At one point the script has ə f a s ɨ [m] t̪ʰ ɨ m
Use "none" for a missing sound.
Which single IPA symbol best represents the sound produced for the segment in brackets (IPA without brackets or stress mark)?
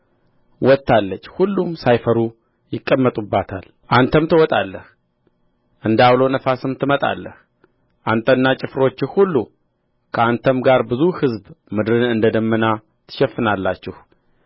m